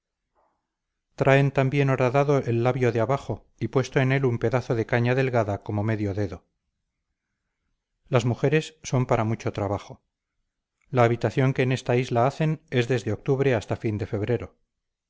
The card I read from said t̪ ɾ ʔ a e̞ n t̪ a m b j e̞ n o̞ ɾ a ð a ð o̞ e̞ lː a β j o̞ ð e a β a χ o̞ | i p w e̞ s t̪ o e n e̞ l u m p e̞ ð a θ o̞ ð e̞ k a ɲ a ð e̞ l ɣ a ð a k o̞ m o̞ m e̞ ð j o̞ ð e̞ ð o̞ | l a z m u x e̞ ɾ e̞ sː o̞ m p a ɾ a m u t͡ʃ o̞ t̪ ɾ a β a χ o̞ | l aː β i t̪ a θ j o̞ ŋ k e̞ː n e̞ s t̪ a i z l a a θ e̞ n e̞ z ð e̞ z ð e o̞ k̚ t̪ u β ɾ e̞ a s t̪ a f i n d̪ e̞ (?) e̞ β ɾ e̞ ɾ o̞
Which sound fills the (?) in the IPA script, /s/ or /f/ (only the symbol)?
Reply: f